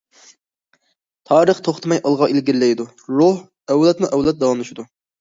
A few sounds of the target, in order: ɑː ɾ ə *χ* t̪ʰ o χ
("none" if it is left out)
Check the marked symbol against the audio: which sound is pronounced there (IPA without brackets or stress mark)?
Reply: χ